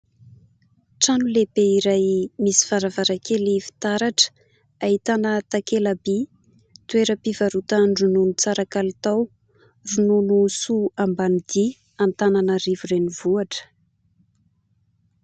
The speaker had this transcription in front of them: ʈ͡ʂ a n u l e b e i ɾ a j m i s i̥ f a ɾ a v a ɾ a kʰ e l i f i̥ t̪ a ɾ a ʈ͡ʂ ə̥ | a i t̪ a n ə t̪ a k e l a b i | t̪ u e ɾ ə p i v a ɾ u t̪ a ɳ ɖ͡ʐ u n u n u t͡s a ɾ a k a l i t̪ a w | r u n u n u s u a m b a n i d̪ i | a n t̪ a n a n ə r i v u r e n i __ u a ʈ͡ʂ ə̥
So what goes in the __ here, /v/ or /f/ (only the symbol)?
v